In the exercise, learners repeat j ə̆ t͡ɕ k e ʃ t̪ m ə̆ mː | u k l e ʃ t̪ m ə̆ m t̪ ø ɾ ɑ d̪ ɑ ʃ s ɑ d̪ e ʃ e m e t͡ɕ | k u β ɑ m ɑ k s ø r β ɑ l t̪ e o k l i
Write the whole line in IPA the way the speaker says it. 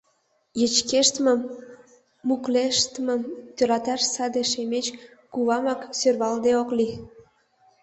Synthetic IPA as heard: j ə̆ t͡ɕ k e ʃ t̪ m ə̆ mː | u k l e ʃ t̪ m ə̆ m t̪ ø ɾ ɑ t̪ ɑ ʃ s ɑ d̪ e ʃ e m e t͡ɕ | k u β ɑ m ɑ k s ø r β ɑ l d̪ e o k l i